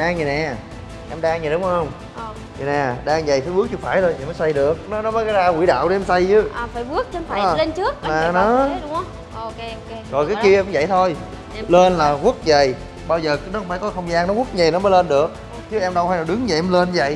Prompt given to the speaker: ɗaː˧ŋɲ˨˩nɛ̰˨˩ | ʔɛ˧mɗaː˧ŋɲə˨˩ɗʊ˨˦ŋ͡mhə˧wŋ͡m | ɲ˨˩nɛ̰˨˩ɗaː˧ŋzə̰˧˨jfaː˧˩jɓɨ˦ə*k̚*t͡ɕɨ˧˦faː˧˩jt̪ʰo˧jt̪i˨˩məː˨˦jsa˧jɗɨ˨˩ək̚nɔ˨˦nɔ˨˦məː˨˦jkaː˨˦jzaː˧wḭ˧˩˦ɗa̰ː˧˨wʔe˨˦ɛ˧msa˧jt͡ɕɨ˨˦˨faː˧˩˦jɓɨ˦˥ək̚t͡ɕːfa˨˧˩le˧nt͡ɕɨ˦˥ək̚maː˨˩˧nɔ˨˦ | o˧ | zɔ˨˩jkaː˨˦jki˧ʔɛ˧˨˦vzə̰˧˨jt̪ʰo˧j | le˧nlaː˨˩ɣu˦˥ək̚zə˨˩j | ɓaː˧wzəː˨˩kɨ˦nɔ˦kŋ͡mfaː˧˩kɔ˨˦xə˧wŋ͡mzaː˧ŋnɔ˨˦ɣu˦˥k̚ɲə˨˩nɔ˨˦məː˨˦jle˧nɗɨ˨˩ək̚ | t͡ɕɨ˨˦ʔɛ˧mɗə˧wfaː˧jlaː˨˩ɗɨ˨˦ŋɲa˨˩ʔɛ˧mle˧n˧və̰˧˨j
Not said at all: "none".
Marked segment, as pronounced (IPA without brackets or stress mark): k̚